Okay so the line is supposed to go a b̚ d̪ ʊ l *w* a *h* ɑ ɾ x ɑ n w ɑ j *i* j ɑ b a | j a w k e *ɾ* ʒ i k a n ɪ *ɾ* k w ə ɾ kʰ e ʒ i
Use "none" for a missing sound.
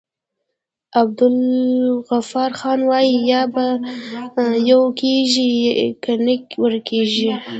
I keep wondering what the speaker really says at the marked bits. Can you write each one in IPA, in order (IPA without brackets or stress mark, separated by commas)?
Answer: ɣ, f, i, none, none